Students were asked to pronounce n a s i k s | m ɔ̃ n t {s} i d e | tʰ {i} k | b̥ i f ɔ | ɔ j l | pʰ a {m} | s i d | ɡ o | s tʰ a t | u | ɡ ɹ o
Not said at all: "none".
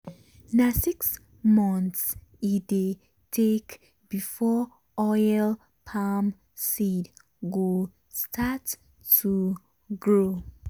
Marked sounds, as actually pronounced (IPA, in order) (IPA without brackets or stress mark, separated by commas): s, e, m